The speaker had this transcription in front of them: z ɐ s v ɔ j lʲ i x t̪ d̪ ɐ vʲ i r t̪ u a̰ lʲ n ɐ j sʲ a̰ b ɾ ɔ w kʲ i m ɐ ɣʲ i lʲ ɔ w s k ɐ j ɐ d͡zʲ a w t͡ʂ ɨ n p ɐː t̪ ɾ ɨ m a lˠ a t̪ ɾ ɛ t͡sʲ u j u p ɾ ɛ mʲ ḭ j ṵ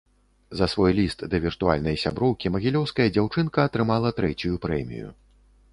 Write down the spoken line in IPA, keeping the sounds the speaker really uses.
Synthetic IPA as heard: z ɐ s v ɔ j lʲ i s t̪ d̪ ɐ vʲ i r t̪ u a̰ lʲ n ɐ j sʲ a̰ b ɾ ɔ w kʲ i m ɐ ɣʲ i lʲ ɔ w s k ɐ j ɐ d͡zʲ a w t͡ʂ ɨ n k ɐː t̪ ɾ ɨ m a lˠ ɐ t̪ ɾ ɛ t͡sʲ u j u p ɾ ɛ mʲ ḭ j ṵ

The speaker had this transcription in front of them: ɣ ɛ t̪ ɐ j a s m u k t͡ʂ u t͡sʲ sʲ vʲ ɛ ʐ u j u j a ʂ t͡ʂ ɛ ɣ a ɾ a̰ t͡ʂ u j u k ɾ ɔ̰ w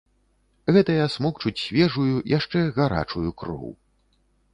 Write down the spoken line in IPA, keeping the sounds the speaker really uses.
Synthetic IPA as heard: ɣ ɛ t̪ ɐ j a s m ɔ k t͡ʂ u t͡sʲ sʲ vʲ ɛ ʐ u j u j a ʂ t͡ʂ ɛ ɣ a ɾ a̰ t͡ʂ u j u k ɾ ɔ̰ w

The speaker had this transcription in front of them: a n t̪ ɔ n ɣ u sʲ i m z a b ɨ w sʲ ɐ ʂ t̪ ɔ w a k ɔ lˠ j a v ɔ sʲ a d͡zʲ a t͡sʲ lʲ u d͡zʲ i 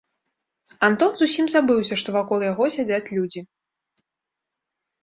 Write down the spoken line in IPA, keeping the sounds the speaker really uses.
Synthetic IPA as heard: a n t̪ ɔ n z u sʲ i m z a b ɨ w sʲ ɐ ʂ t̪ ɔ v a k ɔ lˠ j a ɣ ɔ sʲ a d͡zʲ a t͡sʲ lʲ u d͡zʲ i

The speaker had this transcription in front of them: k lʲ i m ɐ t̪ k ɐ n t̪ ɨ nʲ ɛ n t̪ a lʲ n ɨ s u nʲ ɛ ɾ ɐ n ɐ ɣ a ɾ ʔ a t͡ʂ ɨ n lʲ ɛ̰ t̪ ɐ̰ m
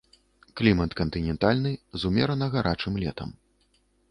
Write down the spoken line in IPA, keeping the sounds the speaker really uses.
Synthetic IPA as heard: k lʲ i m ɐ t̪ k ɐ n t̪ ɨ nʲ ɛ n t̪ a lʲ n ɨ z u mʲ ɛ ɾ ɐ n ɐ ɣ a ɾ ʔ a t͡ʂ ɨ m lʲ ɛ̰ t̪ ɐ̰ m

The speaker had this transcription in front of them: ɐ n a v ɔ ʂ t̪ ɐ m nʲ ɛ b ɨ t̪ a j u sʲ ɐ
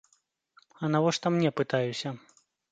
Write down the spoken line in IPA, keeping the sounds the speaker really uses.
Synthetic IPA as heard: ɐ n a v ɔ ʂ t̪ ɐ m nʲ ɛ p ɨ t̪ a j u sʲ ɐ

